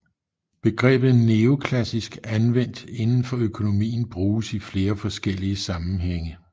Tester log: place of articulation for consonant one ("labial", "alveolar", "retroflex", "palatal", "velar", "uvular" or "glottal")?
labial